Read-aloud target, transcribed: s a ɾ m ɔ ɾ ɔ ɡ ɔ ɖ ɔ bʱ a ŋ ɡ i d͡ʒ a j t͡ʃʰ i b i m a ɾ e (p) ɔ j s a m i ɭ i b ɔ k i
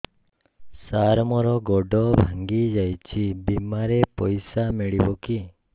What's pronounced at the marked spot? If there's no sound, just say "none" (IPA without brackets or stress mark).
p